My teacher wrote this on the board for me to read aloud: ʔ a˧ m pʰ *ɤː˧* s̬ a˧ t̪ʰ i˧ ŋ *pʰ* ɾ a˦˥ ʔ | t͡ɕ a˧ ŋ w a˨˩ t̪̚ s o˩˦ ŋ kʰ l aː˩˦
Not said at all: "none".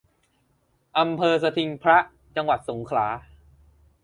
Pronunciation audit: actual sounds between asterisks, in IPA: ɤː˧, pʰ

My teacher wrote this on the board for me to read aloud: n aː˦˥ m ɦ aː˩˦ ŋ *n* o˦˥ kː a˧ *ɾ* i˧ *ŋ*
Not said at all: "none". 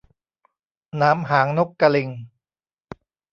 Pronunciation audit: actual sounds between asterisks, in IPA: n, l, ŋ

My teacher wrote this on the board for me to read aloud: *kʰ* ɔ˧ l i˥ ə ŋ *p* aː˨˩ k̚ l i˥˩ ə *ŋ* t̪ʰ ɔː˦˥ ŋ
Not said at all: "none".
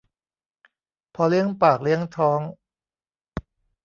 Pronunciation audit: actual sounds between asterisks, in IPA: pʰ, p, ŋ

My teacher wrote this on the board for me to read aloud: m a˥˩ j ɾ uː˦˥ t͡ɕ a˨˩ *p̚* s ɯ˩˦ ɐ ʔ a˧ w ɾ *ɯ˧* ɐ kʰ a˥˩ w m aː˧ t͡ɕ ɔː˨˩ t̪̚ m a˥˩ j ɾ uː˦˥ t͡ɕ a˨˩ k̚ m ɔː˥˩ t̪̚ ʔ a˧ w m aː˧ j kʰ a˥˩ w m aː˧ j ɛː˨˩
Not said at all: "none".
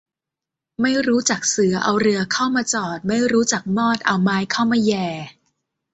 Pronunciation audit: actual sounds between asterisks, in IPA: k̚, ɯ˧

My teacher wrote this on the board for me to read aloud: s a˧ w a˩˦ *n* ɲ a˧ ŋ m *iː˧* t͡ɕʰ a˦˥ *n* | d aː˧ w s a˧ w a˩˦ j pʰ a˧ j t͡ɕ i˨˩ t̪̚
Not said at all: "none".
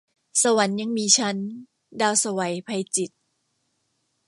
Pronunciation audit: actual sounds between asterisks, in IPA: n, iː˧, n

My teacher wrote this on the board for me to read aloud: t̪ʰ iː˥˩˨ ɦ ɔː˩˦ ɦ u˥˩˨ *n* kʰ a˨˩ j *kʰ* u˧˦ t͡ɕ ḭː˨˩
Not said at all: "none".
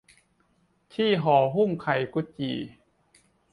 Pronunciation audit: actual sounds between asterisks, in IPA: ŋ, k

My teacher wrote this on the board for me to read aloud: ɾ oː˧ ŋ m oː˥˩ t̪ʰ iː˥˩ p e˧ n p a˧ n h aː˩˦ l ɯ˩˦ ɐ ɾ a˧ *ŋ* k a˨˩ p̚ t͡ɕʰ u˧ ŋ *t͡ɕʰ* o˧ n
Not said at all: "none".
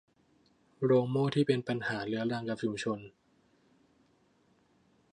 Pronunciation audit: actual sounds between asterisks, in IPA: ŋ, t͡ɕʰ

